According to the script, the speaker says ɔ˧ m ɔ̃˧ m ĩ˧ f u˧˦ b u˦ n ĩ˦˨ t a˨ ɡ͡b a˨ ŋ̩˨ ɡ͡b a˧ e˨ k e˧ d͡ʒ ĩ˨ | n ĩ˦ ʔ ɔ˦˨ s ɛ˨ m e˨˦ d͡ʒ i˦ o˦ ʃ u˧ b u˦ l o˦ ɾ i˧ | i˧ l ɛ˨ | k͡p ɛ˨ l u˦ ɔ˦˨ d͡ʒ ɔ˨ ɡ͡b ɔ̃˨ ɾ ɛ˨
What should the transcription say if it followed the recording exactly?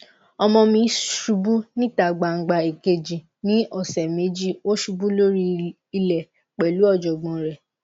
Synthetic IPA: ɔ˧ m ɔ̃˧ m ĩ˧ ʃ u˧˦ b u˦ n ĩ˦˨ t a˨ ɡ͡b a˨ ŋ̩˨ ɡ͡b a˧ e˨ k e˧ d͡ʒ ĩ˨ | n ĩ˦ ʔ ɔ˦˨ s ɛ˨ m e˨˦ d͡ʒ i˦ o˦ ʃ u˧ b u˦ l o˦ ɾ i˧ | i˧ l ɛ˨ | k͡p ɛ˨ l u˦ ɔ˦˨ d͡ʒ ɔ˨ ɡ͡b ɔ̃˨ ɾ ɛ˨

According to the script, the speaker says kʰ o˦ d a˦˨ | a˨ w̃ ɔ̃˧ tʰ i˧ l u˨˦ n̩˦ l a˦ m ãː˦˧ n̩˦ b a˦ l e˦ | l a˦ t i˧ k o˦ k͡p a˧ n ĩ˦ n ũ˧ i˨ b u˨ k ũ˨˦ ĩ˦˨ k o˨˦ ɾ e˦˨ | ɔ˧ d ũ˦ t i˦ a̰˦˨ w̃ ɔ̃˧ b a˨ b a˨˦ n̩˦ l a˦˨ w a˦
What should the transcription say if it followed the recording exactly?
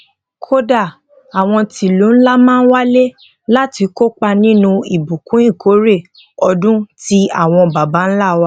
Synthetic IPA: kʰ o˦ d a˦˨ | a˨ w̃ ɔ̃˧ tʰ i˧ l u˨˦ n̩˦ l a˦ m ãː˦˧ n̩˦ w a˦ l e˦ | l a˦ t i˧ k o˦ k͡p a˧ n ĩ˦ n ũ˧ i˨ b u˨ k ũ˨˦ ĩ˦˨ k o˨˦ ɾ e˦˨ | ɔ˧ d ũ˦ t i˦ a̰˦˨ w̃ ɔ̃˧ b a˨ b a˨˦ n̩˦ l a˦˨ w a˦

